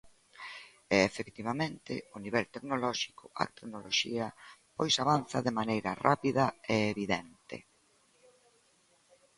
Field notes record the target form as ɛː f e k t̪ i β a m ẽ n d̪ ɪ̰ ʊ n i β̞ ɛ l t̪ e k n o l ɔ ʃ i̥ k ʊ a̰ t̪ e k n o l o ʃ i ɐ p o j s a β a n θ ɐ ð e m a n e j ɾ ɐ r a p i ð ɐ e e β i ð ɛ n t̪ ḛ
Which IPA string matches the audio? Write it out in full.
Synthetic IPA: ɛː f e k t̪ i β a m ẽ n t̪ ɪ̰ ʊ n i β̞ ɛ l t̪ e k n o l ɔ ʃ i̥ k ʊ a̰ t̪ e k n o l o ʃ i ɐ p o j s a β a n θ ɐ ð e m a n e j ɾ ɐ r a p i ð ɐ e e β i ð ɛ n t̪ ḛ